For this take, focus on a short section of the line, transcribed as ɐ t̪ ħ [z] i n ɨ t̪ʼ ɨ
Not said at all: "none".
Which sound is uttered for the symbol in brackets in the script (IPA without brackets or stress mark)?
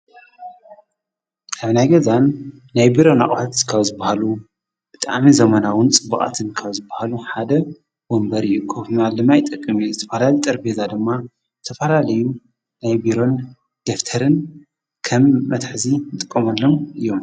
z